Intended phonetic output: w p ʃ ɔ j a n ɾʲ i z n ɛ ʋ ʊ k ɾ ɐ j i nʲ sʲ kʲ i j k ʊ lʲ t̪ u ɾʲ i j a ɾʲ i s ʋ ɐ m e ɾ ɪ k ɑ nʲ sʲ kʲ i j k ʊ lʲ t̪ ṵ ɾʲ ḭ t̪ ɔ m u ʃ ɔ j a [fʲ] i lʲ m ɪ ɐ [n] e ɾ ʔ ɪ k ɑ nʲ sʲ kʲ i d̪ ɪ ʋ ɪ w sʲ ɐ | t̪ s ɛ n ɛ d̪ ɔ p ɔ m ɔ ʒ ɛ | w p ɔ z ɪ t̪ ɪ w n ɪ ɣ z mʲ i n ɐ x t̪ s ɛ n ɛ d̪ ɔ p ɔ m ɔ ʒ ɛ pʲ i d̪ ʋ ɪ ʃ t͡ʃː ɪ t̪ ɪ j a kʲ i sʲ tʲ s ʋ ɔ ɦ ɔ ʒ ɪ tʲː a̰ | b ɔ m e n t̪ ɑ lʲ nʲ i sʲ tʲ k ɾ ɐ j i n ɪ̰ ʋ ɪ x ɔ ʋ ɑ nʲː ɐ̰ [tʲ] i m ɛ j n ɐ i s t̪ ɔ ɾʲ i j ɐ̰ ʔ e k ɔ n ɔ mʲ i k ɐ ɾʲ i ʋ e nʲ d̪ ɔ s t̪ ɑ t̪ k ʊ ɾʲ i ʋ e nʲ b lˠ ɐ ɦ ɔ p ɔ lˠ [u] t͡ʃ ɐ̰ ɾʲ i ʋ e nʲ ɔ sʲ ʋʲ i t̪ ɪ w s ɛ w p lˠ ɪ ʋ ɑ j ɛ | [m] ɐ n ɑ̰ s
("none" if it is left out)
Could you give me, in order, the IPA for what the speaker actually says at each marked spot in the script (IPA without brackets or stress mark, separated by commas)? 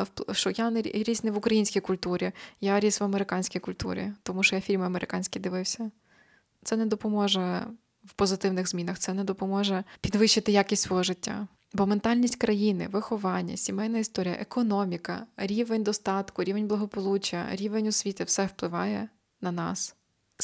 fʲ, m, sʲ, u, n